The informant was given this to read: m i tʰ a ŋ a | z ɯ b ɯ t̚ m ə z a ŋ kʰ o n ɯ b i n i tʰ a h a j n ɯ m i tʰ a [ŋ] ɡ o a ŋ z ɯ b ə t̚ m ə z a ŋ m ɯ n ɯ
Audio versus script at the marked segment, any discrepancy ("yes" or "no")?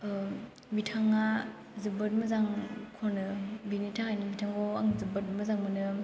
no